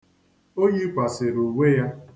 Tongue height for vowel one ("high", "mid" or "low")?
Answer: mid